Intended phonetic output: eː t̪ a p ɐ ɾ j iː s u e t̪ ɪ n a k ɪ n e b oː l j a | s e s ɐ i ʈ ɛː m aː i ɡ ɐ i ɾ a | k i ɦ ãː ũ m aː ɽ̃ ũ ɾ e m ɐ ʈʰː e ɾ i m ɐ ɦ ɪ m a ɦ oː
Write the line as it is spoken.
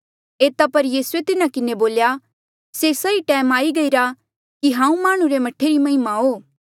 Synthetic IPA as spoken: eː t̪ a p ɐ ɾ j iː s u e t̪ ɪ n a k ɪ n e b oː l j a | s e s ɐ i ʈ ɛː m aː i ɡ ɐ i ɾ a | k i ɦ ãː ũ m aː ɽ̃ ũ ɾ e m ɐ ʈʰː e ɾ i m ɐ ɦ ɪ m a ɦ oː